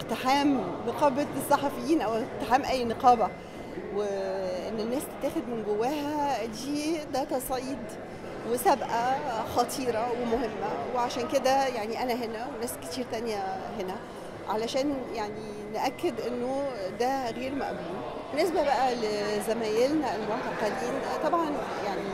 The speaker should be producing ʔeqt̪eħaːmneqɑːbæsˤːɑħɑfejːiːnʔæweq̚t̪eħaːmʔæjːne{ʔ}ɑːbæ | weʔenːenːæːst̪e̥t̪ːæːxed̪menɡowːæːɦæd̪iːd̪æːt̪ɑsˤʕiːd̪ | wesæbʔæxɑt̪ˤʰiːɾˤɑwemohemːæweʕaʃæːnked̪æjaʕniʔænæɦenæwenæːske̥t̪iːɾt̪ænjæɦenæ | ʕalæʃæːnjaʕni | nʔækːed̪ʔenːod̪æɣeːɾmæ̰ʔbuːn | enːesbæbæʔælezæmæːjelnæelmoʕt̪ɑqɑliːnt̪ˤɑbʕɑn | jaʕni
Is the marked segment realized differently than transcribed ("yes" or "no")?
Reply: yes